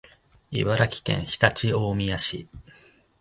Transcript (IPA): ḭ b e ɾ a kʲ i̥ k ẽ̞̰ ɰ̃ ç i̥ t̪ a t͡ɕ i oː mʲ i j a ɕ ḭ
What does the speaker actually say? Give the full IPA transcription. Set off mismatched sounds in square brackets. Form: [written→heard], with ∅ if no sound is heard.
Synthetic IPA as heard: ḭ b [e→a] ɾ a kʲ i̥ k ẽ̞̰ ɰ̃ ç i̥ t̪ a t͡ɕ i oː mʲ i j a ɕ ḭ